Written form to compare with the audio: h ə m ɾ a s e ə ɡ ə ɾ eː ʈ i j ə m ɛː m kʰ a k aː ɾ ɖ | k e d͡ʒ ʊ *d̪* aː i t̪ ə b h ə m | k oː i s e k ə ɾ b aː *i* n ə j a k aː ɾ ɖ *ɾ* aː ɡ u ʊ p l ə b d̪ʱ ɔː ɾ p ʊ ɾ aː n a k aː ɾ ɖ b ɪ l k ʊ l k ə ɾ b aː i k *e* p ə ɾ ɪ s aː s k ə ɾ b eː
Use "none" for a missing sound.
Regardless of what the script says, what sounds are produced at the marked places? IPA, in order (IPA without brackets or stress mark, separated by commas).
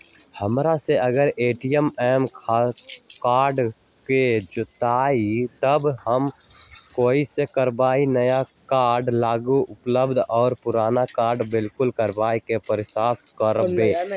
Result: t̪, i, l, e